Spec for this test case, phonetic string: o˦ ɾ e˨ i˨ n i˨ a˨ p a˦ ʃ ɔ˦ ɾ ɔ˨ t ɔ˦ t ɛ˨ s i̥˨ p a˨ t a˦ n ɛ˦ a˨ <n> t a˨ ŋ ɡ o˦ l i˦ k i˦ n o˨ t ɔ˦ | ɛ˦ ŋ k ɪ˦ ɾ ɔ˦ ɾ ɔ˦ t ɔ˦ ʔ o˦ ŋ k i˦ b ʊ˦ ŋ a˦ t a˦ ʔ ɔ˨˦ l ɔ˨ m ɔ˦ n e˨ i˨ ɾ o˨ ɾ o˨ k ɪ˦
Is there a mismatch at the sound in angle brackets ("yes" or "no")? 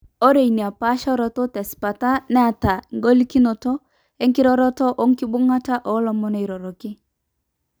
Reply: yes